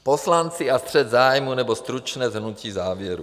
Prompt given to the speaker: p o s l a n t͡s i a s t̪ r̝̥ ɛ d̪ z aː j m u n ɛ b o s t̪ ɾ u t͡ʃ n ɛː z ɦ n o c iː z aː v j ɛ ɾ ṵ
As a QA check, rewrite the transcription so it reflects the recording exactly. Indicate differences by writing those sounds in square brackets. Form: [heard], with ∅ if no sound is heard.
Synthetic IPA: p o s l a n t͡s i a s t̪ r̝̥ ɛ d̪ z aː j m u n ɛ b o s t̪ ɾ u t͡ʃ n ɛː z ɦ n [u] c iː z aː v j ɛ ɾ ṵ